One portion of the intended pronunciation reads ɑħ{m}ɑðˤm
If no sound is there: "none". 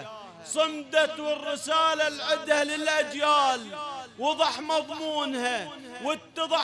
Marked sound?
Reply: m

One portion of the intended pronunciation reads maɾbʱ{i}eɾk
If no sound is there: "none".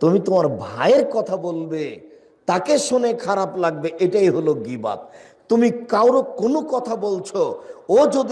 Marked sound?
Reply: a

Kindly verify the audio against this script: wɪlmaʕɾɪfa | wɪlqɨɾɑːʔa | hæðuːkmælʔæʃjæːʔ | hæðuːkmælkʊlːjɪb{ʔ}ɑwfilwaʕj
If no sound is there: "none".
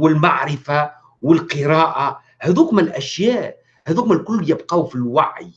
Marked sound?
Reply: q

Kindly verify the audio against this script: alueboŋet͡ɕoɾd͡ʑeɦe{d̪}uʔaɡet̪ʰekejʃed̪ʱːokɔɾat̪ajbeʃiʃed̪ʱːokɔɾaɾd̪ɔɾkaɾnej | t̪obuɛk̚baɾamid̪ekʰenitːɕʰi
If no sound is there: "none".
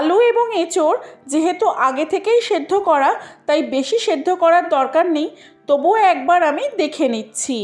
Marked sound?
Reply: t̪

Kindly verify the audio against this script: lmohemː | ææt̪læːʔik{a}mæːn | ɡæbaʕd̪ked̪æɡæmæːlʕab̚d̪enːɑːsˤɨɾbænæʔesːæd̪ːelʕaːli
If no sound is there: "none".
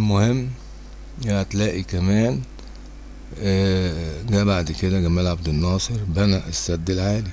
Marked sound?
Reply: æ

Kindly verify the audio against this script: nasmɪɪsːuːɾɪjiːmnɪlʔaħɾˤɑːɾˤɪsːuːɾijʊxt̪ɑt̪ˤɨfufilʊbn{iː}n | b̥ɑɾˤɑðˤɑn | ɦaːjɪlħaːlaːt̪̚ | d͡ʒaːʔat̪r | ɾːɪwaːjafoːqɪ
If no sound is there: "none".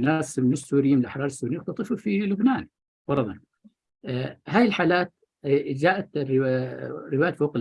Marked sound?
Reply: aː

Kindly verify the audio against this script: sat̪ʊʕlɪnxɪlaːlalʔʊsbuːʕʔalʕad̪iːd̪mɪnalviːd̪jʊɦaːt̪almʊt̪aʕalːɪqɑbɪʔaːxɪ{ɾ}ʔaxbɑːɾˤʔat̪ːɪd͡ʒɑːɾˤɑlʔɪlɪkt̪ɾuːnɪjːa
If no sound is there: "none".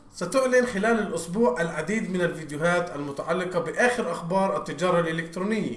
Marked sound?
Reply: ɾ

